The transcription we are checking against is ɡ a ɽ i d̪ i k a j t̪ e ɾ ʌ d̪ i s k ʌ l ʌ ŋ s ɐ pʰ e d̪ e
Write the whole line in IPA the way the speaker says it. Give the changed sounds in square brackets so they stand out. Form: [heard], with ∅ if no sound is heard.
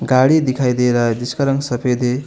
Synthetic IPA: ɡ a ɽ i d̪ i [kʰ] a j [d̪] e ɾ ʌ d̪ i s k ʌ [ɾ] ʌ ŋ s [ʌ] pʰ e d̪ e